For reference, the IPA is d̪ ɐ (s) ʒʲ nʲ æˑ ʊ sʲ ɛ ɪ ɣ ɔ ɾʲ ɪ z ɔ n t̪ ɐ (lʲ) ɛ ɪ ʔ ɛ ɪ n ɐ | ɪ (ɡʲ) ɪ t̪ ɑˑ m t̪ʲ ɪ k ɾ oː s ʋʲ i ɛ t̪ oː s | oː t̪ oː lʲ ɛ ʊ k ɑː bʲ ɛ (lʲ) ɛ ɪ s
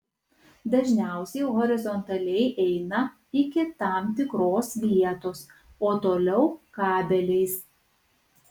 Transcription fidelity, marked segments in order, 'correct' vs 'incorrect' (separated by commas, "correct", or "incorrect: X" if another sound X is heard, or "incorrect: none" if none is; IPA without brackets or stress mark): incorrect: none, correct, incorrect: kʲ, correct